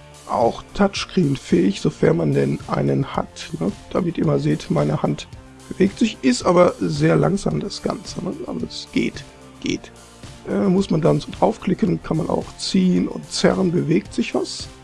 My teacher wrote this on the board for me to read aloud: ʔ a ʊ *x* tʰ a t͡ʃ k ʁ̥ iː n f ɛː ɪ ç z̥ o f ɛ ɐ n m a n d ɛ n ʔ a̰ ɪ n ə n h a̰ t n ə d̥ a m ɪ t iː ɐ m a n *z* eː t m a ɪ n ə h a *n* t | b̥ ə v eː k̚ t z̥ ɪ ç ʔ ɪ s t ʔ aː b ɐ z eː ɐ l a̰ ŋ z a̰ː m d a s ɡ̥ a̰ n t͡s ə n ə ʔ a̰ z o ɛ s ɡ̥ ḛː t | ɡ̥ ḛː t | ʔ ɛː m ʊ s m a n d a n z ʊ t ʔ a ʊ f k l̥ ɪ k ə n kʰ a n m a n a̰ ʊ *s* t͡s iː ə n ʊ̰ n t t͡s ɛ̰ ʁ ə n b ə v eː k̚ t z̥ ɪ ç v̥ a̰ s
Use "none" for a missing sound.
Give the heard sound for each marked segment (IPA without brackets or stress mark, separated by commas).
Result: x, z, n, x